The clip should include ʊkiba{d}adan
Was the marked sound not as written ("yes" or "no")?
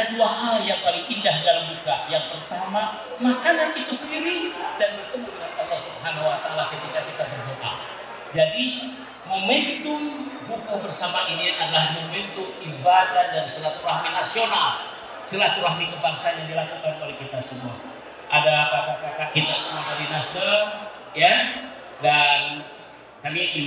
no